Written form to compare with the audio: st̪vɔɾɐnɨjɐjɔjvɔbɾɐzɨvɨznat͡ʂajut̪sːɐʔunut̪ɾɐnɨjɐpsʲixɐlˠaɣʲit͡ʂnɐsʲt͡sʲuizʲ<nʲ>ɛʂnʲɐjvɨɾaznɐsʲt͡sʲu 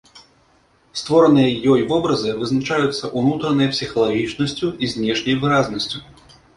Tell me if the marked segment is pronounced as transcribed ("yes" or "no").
yes